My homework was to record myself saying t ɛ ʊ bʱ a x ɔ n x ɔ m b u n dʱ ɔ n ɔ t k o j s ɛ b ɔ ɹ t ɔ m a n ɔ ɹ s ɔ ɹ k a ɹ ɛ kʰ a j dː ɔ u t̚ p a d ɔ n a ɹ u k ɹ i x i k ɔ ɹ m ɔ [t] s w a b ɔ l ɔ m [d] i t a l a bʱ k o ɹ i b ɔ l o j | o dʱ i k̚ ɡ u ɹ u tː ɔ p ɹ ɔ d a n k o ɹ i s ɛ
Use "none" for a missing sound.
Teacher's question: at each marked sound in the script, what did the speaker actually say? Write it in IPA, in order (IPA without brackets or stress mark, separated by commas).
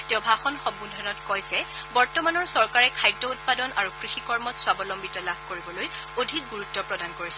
t, b